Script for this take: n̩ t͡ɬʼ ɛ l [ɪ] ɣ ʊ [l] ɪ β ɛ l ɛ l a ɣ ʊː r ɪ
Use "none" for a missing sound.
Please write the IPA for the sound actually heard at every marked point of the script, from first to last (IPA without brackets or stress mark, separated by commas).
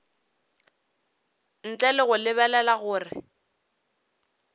ɪ, l